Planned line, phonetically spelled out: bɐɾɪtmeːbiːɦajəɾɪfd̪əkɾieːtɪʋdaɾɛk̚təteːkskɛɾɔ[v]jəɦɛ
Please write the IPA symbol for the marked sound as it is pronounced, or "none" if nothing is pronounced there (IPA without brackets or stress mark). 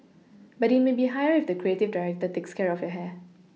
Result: f